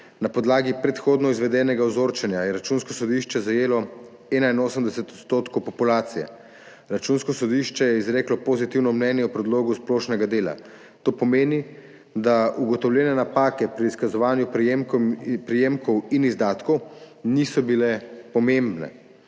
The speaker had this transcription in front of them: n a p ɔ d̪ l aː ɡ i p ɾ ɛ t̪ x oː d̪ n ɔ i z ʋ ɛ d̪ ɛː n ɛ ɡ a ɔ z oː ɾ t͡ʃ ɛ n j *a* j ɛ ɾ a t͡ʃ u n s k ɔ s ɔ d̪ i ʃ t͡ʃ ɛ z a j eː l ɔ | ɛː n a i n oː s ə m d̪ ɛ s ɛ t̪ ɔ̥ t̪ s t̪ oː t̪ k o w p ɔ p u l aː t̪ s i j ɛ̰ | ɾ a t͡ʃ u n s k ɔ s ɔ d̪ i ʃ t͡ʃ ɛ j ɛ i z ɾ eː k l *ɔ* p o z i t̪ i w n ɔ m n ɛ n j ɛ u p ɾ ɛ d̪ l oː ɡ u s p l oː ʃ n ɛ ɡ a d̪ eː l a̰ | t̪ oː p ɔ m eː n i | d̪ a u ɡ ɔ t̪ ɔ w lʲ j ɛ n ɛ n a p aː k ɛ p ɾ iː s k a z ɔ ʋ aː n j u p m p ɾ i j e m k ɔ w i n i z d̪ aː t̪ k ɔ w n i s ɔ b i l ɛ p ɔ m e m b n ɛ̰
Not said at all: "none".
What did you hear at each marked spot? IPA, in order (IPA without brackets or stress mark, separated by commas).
a, ɔ